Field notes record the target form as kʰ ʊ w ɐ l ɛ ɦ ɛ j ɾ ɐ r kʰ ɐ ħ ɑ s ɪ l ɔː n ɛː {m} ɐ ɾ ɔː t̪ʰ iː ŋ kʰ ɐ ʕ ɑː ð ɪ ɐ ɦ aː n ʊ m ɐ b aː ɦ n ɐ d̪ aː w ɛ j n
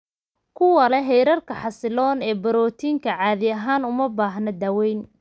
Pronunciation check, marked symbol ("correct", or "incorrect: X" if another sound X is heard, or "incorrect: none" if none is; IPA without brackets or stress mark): incorrect: b